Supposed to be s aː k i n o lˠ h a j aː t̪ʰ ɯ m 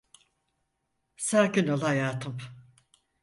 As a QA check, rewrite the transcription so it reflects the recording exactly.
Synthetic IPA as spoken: s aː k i n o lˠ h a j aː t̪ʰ ɯ m

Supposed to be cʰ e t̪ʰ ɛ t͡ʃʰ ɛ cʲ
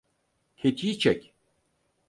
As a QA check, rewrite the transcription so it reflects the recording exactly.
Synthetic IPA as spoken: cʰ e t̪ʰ i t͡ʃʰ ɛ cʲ

